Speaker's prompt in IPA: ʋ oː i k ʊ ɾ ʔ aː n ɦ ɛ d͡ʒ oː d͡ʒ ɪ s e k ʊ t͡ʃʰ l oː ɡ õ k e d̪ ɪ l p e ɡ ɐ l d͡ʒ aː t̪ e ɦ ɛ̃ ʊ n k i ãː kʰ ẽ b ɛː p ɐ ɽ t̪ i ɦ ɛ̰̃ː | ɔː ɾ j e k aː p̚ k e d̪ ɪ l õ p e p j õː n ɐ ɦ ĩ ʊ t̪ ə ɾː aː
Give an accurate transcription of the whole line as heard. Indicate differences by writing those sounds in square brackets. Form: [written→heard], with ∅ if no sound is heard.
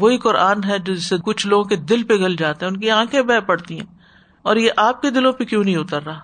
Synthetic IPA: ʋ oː i k ʊ ɾ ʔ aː n ɦ ɛ d͡ʒ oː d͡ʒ ɪ s e k ʊ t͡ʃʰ l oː ɡ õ k e d̪ ɪ l p e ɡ ɐ l d͡ʒ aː t̪ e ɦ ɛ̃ ʊ n k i ãː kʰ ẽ b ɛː p ɐ ɽ t̪ i ɦ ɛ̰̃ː | ɔː ɾ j e [k→ʔ] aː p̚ k e d̪ ɪ l õ p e [p→k] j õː n ɐ ɦ ĩ ʊ t̪ ə ɾː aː